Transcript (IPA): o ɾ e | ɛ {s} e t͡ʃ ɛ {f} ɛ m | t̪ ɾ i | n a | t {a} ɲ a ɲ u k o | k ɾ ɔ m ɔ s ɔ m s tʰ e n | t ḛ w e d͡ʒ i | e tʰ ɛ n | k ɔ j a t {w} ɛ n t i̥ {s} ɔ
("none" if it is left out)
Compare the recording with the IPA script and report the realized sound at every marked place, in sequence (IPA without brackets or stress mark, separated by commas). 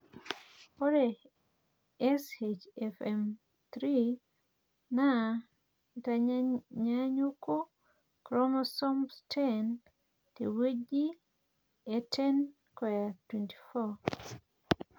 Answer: s, f, a, w, f